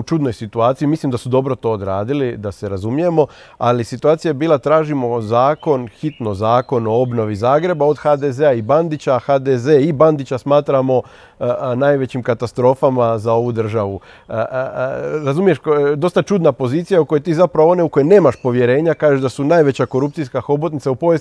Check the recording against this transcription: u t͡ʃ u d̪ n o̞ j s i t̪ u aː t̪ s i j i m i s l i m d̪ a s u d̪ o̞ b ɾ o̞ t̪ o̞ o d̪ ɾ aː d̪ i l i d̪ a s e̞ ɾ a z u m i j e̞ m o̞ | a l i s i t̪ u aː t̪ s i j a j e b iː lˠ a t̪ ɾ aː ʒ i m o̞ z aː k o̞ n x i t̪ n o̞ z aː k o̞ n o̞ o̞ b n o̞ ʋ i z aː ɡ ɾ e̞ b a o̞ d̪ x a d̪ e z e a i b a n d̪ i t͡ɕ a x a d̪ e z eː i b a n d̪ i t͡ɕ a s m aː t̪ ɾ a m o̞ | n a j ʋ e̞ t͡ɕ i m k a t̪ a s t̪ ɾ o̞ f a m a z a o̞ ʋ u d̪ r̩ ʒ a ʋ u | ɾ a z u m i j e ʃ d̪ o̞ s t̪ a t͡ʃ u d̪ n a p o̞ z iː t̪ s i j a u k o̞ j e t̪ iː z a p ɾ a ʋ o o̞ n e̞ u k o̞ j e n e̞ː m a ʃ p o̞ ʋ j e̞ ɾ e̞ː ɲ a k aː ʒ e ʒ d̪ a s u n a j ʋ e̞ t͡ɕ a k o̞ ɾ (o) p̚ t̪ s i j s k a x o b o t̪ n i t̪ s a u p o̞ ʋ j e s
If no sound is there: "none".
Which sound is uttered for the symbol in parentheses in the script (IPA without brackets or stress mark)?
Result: u